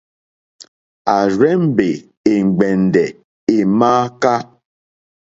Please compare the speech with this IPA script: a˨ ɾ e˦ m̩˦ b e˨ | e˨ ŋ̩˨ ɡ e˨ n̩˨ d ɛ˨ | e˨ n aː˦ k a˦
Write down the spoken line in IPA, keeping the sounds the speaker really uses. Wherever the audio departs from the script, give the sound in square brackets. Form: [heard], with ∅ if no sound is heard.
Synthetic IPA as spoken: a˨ ɾ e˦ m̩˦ b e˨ | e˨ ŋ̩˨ [ɡ͡b] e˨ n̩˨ d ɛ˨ | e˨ [m] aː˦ k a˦

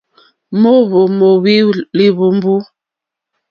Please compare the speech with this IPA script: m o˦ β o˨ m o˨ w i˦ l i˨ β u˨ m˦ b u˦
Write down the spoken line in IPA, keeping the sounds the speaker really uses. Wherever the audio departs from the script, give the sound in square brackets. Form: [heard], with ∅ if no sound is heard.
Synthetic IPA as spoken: m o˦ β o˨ m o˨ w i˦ l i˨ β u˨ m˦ b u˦

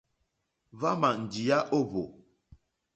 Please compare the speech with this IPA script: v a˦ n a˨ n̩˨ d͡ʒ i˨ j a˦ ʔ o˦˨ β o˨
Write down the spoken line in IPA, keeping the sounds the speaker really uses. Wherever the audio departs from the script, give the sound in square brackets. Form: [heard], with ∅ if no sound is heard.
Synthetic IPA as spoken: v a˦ [m] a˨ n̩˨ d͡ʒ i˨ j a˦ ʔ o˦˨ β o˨

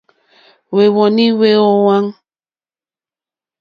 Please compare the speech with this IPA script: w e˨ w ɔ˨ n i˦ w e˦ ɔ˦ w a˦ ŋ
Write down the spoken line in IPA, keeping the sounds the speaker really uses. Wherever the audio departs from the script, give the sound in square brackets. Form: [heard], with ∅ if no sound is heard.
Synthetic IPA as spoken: w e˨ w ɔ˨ n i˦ w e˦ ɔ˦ w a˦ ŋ

